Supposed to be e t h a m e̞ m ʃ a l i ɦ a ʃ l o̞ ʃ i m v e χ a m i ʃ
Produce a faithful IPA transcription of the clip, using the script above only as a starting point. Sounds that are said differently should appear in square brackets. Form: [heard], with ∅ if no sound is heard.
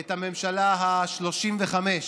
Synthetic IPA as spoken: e t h a m e̞ m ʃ a l [a] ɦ a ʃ l o̞ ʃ i m v e χ a m [e] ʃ